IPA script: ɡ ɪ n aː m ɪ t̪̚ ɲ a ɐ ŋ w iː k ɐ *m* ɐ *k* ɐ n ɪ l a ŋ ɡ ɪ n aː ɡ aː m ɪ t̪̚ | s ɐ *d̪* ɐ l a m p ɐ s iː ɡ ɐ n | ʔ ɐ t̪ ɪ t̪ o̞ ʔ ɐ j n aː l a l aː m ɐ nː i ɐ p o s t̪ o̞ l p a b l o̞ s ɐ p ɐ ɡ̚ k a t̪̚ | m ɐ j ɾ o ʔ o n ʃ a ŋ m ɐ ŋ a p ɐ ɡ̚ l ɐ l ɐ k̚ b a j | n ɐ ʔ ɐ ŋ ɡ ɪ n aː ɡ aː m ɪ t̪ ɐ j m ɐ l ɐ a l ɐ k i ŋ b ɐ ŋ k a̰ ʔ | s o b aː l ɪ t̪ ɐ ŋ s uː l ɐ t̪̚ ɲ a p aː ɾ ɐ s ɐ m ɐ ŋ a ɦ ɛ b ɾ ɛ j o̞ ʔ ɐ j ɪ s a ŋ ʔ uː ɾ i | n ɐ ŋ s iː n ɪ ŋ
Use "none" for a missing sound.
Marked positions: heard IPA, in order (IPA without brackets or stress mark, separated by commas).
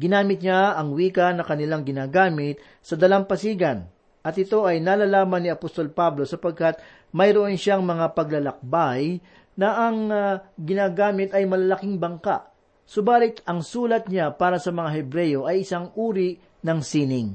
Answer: n, k, d̪